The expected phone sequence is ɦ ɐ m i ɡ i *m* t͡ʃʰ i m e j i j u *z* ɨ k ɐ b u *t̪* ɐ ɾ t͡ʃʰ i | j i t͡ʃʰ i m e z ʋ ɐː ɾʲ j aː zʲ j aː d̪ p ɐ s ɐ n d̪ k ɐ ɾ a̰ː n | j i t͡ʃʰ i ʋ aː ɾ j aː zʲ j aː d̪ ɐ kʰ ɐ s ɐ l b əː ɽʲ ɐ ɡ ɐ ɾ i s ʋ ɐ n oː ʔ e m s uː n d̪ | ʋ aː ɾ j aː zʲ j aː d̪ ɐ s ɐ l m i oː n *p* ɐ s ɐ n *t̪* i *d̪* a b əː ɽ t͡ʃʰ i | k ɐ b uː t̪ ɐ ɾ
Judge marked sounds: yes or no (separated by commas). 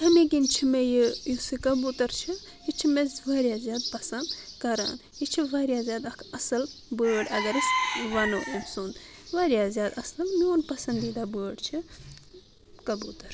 no, no, yes, yes, no, yes